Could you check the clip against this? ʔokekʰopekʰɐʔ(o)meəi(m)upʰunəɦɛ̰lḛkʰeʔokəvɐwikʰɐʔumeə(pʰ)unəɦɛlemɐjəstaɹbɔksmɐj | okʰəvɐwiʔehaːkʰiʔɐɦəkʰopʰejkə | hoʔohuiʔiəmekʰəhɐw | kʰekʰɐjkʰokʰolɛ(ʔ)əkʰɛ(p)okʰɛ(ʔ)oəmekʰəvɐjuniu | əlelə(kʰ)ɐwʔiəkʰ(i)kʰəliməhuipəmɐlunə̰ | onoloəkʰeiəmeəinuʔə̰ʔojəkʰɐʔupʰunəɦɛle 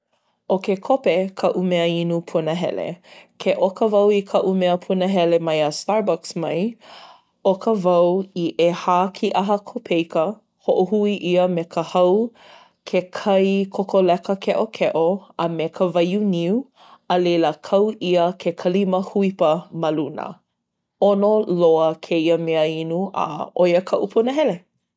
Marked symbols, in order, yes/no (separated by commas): no, no, yes, no, no, yes, yes, no